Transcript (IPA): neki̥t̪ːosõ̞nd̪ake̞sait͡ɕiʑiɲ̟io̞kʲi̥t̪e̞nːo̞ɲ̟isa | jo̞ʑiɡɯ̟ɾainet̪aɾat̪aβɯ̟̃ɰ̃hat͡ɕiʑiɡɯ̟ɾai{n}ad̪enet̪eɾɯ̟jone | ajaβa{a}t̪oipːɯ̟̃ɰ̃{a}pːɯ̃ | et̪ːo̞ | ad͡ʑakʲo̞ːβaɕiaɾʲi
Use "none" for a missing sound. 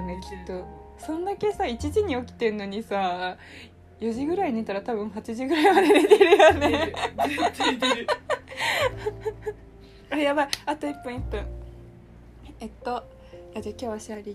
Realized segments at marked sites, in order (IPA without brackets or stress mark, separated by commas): m, a, i